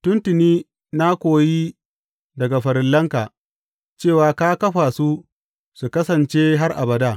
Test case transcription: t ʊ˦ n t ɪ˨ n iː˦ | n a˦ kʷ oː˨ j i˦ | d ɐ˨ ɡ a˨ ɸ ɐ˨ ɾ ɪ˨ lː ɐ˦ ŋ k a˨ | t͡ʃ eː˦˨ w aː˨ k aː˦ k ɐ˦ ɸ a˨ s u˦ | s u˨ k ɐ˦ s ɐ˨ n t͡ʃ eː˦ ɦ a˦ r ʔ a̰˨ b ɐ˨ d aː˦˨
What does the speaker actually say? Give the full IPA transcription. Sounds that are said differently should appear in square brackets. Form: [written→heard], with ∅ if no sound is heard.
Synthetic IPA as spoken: t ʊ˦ n t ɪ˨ n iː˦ | n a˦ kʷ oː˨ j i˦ | d ɐ˨ ɡ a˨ ɸ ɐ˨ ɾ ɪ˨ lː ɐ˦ ŋ k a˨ | t͡ʃ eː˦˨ w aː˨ k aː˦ k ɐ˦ ɸ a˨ s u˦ | s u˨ k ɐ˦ s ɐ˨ n t͡ʃ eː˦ ɦ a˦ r ʔ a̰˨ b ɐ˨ d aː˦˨